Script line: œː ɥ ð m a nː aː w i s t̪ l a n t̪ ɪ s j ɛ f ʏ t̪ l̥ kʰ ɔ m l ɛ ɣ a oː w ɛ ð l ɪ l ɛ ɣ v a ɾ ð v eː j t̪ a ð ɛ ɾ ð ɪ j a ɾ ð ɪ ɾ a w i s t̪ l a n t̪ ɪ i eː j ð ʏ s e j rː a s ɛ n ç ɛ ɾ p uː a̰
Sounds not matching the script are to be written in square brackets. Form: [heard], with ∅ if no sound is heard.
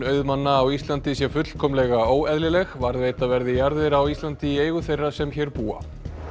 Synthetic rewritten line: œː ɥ ð m a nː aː w i s t̪ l a n t̪ ɪ s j ɛ f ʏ t̪ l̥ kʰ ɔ m l ɛ ɣ a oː w ɛ ð l ɪ l ɛ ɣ v a ɾ ð v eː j t̪ a [v] ɛ ɾ ð ɪ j a ɾ ð ɪ ɾ a w i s t̪ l a n t̪ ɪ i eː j [ɣ] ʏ [θ] e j rː a s ɛ [m] ç ɛ ɾ p uː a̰